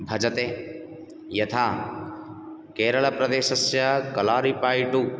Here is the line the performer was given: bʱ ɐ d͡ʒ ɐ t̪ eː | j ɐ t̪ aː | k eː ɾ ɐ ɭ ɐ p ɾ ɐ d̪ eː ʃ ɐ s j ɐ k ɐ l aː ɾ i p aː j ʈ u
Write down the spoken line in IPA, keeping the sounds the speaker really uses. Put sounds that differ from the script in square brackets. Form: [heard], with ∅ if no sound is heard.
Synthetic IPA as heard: bʱ ɐ d͡ʒ ɐ t̪ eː | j ɐ [t̪ʰ] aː | k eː ɾ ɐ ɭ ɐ p ɾ ɐ d̪ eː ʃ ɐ s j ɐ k ɐ l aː ɾ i p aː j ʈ u